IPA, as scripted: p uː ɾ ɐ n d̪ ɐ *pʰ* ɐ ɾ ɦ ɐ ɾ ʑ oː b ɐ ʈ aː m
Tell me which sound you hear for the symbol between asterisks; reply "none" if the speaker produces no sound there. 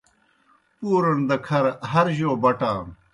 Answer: kʰ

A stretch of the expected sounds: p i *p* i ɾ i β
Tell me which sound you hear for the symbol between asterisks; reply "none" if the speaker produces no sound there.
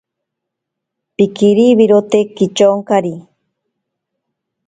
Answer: k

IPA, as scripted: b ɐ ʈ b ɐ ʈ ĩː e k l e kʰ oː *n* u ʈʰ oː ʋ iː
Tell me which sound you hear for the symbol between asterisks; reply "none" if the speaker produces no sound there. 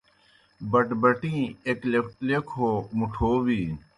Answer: m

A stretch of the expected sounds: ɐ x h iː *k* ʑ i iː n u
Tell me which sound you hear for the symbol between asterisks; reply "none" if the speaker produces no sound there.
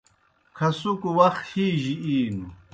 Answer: none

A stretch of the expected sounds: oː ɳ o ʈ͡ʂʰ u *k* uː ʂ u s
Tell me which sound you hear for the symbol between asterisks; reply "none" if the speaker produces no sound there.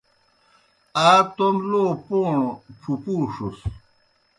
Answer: p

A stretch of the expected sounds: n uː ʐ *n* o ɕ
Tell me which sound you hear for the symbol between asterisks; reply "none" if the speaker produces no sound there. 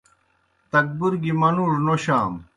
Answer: n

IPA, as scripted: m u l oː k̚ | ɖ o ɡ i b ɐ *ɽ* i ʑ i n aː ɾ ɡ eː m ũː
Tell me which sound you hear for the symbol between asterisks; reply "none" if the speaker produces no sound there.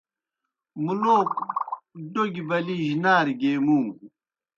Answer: l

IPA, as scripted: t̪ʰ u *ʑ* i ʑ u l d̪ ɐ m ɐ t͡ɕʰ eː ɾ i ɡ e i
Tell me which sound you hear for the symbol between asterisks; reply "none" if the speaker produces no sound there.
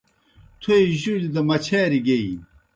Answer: none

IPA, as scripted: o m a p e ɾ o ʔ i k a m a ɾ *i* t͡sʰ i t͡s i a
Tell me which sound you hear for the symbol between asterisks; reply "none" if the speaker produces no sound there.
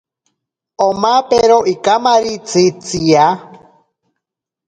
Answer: i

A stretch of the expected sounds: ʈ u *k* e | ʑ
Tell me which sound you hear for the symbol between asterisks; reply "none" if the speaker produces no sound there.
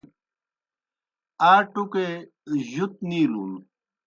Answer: k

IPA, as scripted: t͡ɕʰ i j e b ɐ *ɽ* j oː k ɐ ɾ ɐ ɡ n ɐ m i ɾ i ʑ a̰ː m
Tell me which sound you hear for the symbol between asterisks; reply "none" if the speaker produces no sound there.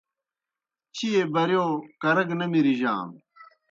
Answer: ɾ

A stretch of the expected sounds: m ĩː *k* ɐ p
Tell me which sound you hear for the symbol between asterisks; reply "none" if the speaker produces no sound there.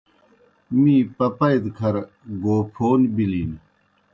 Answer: p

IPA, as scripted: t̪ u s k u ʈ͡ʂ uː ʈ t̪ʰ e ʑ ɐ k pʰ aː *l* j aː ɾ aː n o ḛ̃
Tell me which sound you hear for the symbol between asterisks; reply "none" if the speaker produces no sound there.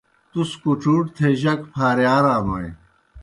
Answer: ɾ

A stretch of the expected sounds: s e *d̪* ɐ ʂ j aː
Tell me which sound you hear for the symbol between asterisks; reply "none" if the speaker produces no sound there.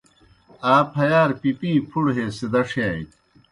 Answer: d̪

